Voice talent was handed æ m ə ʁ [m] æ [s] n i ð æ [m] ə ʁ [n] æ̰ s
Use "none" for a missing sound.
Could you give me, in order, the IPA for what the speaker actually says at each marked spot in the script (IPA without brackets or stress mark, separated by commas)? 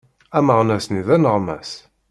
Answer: n, s, n, m